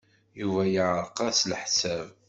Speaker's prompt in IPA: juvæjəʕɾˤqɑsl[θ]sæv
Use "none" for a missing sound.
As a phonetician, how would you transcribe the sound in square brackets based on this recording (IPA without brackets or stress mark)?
ħ